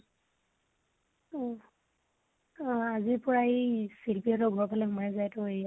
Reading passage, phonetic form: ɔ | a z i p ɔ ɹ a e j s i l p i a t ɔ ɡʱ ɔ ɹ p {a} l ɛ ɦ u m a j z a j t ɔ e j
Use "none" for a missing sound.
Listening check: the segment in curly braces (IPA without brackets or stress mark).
a